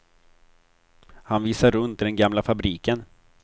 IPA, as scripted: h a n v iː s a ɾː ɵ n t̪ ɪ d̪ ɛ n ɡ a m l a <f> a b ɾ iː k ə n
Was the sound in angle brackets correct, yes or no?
yes